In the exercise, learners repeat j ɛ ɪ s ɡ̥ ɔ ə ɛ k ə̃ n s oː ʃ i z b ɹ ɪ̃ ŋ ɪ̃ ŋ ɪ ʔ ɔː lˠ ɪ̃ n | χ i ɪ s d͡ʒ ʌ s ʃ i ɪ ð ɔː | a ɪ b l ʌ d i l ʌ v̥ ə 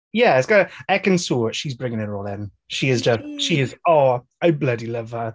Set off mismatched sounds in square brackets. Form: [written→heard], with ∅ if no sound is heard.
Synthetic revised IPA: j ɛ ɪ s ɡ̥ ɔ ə ɛ k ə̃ n s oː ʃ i z b ɹ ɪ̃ ŋ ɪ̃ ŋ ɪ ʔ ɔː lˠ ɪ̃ n | [χ→ʃ] i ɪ [s→z] d͡ʒ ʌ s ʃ i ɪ [ð→z] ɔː | a ɪ b l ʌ d i l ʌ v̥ ə